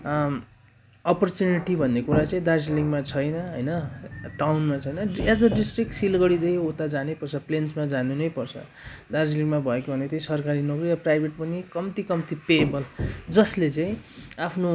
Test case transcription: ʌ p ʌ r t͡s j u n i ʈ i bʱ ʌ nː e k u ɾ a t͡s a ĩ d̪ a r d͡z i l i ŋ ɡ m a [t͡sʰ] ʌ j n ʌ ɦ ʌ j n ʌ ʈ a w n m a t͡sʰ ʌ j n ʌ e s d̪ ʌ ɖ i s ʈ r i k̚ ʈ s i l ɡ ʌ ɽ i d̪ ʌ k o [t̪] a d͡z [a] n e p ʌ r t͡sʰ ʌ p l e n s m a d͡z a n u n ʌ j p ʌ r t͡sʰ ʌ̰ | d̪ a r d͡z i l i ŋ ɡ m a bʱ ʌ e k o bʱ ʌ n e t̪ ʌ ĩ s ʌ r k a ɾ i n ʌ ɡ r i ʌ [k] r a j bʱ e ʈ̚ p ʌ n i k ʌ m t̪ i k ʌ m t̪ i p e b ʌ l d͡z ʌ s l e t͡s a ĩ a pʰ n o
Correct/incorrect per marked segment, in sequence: correct, correct, correct, incorrect: p

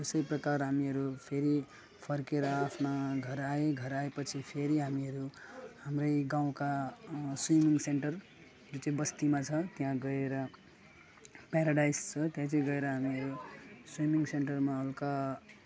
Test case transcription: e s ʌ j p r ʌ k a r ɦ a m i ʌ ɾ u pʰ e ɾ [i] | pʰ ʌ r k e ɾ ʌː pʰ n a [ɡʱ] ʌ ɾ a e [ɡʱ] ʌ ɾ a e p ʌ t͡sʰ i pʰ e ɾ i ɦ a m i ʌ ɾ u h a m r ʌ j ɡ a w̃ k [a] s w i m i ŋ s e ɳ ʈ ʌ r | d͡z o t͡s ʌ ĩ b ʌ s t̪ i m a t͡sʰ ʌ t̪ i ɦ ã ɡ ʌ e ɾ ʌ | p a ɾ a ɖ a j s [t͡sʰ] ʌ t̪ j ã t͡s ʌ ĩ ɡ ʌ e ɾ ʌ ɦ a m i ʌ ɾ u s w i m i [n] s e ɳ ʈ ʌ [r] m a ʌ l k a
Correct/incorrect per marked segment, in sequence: correct, correct, correct, correct, correct, incorrect: ŋ, correct

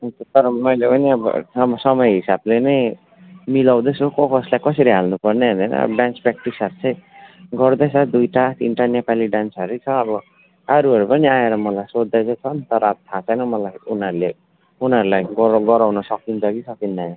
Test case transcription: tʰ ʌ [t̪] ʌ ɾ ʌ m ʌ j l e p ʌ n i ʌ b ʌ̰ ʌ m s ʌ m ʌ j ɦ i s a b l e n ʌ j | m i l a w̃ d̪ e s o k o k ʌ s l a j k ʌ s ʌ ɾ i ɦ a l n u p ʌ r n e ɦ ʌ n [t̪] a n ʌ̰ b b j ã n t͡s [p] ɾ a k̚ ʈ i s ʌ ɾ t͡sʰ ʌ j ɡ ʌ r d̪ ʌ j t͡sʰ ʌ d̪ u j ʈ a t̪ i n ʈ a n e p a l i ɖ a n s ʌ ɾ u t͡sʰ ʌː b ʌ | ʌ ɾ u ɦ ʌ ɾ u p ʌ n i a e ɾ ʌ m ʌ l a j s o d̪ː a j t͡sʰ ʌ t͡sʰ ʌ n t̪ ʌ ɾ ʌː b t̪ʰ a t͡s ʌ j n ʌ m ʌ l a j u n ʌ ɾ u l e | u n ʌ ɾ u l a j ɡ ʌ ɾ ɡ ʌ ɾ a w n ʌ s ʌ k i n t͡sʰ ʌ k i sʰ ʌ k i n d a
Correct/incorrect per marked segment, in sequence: correct, incorrect: d̪, correct

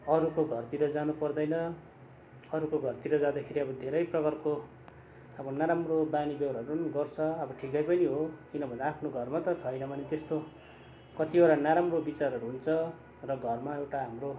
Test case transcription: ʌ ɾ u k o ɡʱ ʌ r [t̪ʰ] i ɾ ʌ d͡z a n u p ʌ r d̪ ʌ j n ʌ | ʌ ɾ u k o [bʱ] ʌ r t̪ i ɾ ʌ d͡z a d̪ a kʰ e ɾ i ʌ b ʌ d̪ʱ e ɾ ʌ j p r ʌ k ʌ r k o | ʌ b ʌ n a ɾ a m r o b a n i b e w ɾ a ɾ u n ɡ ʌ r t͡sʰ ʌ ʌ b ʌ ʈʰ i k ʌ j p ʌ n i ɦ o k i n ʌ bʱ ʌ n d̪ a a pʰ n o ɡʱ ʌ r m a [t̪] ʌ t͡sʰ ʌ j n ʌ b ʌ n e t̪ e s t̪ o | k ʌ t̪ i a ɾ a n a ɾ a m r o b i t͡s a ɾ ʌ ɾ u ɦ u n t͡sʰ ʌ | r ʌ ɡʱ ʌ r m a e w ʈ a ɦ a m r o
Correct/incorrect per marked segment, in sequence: incorrect: t̪, incorrect: ɡʱ, correct

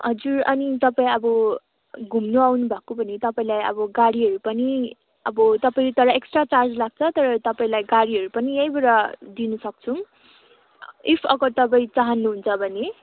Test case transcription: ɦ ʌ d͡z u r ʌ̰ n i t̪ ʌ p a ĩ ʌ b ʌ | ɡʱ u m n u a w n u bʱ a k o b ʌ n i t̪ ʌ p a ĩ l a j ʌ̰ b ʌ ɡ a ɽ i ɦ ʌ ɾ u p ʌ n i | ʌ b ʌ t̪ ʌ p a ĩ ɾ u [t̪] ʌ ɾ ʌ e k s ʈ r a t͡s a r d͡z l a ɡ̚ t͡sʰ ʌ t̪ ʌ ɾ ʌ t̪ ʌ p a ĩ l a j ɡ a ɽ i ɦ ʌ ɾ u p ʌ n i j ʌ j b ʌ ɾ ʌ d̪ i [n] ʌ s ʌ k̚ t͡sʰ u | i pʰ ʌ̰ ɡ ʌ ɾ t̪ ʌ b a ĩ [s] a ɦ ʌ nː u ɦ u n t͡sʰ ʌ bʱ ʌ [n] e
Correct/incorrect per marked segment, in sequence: correct, correct, incorrect: t͡s, correct

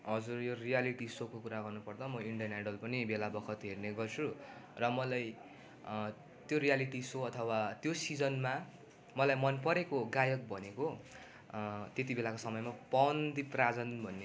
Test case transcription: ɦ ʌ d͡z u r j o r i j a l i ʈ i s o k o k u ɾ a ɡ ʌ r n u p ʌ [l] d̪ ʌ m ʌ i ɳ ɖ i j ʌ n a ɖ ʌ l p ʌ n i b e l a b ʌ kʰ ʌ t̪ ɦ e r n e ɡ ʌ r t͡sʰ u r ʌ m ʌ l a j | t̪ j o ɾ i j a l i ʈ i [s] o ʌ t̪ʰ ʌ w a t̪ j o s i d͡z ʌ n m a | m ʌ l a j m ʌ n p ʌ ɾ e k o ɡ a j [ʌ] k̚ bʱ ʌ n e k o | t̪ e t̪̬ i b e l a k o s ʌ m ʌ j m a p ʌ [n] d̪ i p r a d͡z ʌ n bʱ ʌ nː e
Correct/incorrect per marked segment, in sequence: incorrect: r, correct, correct, correct

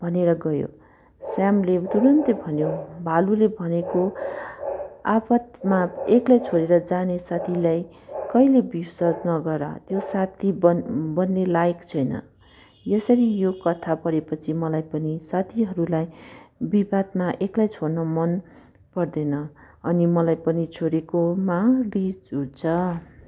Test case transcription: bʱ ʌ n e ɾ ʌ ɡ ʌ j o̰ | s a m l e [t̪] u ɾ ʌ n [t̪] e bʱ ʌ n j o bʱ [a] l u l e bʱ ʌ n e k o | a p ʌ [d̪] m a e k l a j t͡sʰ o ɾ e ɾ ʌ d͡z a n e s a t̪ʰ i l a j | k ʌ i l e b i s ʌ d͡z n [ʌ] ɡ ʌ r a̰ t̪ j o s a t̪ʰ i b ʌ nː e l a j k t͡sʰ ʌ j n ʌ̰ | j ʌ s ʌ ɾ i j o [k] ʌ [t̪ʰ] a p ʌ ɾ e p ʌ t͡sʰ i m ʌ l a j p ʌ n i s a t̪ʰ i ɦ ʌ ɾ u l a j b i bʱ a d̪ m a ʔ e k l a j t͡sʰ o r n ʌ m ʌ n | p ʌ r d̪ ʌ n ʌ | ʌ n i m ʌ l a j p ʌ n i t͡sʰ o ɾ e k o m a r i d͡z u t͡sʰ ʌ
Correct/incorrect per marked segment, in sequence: correct, correct, correct, incorrect: t̪, correct, correct, correct

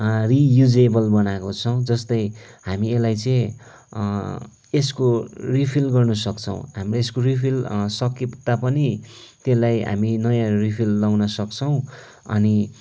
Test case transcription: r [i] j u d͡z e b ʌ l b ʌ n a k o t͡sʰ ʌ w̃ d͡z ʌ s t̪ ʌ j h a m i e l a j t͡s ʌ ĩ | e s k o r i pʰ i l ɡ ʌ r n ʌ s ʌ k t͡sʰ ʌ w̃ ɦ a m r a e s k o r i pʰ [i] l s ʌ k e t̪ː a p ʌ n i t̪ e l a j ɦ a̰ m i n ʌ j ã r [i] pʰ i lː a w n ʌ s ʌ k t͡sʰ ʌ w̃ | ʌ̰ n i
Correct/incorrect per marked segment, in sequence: correct, correct, correct

